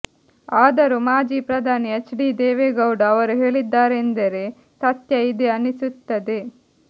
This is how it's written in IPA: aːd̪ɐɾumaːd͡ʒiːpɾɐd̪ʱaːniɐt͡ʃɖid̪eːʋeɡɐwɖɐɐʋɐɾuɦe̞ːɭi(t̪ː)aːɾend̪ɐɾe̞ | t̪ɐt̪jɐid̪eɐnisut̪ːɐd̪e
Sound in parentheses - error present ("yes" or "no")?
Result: yes